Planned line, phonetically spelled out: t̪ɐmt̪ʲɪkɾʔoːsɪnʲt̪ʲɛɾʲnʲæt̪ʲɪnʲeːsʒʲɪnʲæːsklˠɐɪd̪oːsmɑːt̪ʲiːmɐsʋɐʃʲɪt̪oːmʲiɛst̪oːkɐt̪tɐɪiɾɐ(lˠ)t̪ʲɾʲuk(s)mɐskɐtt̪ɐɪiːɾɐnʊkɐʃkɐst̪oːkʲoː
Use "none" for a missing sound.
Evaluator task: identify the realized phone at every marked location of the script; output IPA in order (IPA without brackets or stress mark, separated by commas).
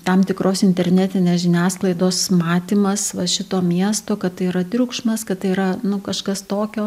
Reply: none, ʃ